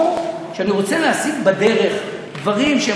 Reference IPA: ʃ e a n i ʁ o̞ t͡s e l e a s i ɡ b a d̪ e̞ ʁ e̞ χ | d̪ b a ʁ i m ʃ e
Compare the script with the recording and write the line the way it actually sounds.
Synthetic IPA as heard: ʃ e a n i ʁ o̞ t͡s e l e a s i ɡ b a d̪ e̞ ʁ e̞ χ | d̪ v a ʁ i m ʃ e

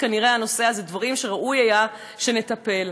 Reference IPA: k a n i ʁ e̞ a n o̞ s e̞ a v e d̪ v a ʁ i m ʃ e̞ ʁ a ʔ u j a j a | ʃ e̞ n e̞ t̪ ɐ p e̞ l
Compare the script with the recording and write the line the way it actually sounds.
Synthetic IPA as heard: k a n i ʁ e̞ a n o̞ s e̞ a z e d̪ v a ʁ i m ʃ e̞ ʁ a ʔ u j a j a | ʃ e̞ n e̞ t̪ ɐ p e̞ l

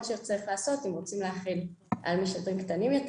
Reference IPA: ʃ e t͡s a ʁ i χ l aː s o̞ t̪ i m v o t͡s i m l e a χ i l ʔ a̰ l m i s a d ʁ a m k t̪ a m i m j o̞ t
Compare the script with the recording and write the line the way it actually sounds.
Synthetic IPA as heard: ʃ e t͡s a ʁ i χ l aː s o̞ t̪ i m ʁ o t͡s i m l e a χ i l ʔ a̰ l m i ʃ a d ʁ i m k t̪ a n i m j o̞ t

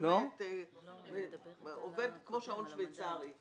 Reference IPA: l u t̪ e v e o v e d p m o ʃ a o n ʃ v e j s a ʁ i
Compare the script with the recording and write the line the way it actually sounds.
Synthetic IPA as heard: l o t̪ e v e o v e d k m o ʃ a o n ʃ v e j t͡s a ʁ i

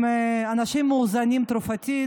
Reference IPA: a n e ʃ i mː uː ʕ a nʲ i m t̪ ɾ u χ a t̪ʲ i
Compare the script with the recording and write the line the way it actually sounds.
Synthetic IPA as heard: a n a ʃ i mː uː z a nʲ i m t̪ ɾ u f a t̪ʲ i

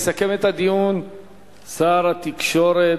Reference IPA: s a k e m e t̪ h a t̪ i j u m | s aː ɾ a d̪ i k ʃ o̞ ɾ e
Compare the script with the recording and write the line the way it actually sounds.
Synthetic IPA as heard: s a k e m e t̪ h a d̪ i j u n | s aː ɾ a t̪ i k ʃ o̞ ɾ e

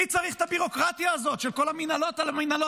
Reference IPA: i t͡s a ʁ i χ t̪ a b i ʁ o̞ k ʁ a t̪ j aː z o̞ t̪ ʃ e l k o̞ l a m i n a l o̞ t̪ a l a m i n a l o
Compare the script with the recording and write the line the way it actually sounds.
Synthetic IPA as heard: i t͡s a ʁ i χ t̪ a b i ʁ o̞ k ʁ a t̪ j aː z o̞ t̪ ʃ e l k o̞ l a m i n a l o̞ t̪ a l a m i n a l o

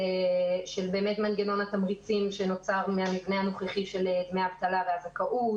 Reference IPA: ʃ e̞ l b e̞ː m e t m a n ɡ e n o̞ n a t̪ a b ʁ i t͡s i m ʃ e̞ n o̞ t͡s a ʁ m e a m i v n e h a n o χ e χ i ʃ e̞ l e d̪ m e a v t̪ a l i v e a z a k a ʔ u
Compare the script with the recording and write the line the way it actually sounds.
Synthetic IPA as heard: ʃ e̞ l b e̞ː m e t m a n ɡ e n o̞ n a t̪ a m ʁ i t͡s i m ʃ e̞ n o̞ t͡s a ʁ m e a m i v n e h a n o χ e χ i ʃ e̞ l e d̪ m e a v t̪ a l a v e a z a k a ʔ u

